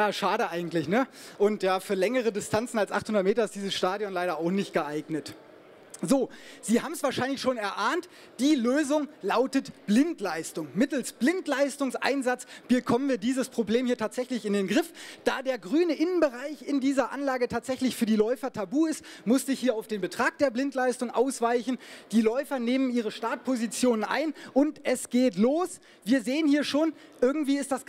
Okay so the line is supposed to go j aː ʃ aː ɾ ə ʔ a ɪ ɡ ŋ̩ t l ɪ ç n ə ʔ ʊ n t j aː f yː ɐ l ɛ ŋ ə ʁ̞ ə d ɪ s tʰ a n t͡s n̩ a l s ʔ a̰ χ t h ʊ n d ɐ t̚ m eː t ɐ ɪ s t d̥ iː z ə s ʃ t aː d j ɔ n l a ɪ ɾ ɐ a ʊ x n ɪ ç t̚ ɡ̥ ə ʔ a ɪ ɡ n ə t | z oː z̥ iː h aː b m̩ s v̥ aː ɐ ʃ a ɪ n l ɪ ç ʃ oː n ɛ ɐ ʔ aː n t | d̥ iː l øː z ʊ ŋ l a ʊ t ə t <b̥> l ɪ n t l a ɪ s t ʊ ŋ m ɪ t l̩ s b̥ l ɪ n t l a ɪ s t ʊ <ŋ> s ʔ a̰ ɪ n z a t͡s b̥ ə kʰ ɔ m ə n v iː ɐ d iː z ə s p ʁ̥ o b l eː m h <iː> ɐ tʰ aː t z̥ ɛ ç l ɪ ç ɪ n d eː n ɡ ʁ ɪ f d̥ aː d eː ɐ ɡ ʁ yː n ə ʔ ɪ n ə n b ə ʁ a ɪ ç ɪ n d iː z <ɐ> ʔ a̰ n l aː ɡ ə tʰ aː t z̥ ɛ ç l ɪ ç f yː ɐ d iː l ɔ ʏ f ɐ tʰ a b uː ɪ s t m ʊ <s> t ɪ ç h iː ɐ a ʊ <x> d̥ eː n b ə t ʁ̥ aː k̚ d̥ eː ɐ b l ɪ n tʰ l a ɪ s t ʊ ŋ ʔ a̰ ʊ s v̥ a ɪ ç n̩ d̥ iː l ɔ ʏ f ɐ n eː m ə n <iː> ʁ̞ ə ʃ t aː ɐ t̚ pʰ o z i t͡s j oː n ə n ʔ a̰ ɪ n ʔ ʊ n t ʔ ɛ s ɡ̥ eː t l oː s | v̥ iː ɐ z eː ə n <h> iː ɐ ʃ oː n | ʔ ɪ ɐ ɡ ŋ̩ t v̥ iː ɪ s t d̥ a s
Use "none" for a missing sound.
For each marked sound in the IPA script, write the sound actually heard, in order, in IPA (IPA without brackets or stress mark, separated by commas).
b̥, ŋ, iː, ɐ, s, f, iː, h